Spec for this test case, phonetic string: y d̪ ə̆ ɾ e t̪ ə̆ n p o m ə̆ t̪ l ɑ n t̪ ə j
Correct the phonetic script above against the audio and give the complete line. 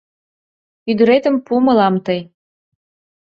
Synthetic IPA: y d̪ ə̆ ɾ e t̪ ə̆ m p u m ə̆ l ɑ m t̪ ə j